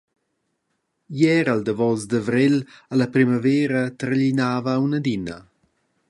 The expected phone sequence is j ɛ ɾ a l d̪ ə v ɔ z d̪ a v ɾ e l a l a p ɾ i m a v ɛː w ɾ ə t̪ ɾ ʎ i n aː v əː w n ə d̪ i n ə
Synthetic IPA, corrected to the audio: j ɛ ɾ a l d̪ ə v ɔ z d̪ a v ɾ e l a l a p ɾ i m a v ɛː ɾ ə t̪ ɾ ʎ i n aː v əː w n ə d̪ i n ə